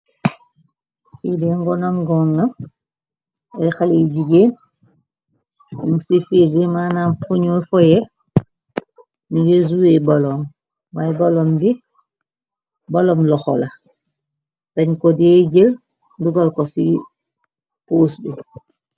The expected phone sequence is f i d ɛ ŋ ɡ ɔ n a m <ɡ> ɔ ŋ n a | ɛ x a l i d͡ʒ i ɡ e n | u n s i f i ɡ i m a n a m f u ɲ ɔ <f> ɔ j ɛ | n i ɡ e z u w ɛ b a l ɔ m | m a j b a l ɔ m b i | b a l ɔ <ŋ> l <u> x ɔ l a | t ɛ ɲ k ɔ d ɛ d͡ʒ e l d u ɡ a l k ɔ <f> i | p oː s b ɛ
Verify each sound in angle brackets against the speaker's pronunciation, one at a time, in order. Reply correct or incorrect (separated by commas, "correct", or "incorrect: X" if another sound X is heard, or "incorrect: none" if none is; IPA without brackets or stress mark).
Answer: correct, correct, incorrect: m, incorrect: ɔ, incorrect: s